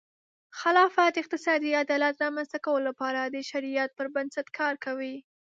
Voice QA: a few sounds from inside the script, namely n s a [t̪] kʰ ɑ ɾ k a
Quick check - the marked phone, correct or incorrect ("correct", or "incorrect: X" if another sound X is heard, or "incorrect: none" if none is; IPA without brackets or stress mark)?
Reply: correct